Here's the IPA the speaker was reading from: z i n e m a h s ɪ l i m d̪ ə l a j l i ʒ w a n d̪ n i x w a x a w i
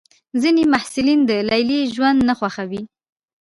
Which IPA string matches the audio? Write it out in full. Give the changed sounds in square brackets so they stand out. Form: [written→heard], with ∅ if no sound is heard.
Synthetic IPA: z i n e m a h s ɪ l i [m→n] d̪ ə l a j l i ʒ w a n d̪ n [i→a] x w a x a w i